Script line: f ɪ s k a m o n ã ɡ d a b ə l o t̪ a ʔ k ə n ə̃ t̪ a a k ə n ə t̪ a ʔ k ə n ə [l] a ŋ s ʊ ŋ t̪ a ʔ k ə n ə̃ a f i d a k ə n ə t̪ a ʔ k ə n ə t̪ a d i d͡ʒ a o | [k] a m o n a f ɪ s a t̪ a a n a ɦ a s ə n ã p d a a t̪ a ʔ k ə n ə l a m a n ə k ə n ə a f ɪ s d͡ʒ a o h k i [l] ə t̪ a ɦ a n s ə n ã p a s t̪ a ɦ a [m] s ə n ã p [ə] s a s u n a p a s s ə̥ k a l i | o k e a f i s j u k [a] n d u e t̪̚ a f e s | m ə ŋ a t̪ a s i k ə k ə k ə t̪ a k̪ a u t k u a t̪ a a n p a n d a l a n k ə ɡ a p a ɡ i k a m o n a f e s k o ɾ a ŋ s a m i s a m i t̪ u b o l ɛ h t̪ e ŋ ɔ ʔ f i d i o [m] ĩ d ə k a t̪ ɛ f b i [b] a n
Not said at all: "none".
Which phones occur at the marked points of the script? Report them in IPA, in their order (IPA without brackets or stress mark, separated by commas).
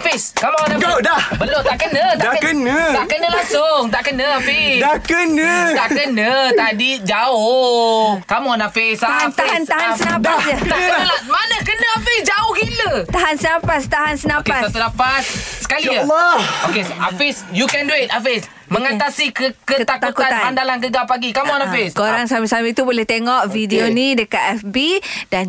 l, k, l, n, a, ɛ, n, d